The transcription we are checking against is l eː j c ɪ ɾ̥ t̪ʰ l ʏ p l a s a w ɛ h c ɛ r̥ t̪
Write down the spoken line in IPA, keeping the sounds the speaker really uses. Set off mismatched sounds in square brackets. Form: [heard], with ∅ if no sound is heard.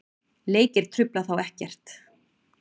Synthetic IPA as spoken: l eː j c ɪ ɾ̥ t̪ʰ [ɾ] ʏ p l a [θ] a w ɛ h c ɛ r̥ t̪